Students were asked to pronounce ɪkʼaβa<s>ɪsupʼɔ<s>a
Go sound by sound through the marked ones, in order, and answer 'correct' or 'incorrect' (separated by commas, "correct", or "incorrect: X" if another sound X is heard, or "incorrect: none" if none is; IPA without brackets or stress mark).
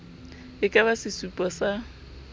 correct, correct